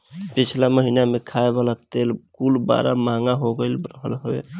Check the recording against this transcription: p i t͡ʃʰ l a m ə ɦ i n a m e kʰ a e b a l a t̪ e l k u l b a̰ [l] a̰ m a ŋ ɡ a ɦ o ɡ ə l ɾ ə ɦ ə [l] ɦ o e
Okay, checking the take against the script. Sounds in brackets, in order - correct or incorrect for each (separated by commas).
incorrect, correct